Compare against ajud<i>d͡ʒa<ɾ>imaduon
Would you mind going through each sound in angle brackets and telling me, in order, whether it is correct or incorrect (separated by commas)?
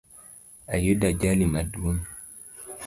incorrect, incorrect